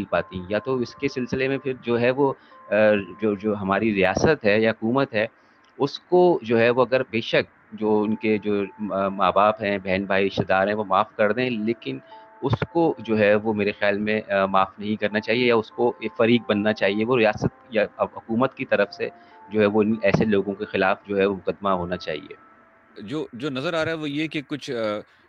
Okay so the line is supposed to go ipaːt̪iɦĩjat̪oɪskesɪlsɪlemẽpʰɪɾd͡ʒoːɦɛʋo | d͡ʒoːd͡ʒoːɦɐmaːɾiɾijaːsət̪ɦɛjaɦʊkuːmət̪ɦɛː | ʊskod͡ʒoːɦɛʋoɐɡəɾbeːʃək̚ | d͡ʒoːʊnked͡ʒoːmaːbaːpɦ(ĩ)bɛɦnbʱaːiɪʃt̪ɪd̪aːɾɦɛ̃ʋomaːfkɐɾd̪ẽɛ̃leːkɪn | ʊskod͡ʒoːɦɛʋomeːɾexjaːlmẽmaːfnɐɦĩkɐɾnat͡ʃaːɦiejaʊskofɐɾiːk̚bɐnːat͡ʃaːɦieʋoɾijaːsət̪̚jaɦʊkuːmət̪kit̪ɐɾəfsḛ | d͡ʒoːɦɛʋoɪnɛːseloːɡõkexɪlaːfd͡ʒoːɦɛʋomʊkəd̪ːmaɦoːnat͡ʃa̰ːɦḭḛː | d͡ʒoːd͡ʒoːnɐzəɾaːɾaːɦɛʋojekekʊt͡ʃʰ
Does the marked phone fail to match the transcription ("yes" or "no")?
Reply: yes